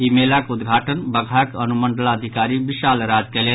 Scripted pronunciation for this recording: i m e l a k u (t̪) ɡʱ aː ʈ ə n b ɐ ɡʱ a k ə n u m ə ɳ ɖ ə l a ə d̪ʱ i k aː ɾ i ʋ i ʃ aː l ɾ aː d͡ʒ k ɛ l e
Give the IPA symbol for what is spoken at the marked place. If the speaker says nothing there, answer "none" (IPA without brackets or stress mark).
d̪